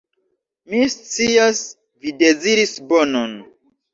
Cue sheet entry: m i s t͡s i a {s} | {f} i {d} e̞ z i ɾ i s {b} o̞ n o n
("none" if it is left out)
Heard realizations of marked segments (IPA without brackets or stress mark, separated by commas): s, v, d, b